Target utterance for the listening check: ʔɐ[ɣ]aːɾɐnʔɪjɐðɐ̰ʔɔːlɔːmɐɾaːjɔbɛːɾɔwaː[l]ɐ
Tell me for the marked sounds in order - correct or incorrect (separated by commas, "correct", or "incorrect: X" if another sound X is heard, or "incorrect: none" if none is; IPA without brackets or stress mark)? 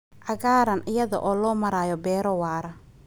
correct, incorrect: ɾ